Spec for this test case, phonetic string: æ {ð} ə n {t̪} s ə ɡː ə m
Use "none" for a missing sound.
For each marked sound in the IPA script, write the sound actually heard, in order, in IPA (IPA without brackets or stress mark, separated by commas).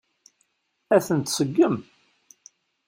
θ, t̪